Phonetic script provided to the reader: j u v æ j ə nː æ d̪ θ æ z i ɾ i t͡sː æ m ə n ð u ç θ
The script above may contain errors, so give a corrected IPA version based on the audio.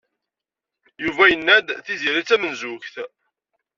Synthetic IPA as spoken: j u v æ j ə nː æ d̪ θ i z i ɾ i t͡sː æ m ə n z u ç θ